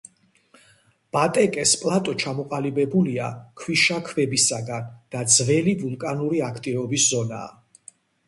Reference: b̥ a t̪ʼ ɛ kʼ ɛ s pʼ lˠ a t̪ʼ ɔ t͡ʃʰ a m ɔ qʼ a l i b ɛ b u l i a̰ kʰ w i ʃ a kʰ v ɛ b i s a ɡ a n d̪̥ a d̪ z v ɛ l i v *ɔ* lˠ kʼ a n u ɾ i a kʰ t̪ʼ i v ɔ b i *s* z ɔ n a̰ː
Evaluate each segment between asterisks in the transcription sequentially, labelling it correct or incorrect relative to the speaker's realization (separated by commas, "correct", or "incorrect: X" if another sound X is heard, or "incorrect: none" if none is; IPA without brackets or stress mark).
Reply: incorrect: u, correct